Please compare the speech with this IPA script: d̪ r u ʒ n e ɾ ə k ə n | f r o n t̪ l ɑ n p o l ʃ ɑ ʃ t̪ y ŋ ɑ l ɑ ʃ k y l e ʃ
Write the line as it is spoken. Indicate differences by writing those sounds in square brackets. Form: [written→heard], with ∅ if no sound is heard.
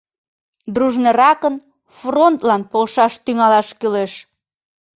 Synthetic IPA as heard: d̪ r u ʒ n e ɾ [ə→ɑ] k ə n | f r o n t̪ l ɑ n p o l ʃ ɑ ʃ t̪ y ŋ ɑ l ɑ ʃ k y l e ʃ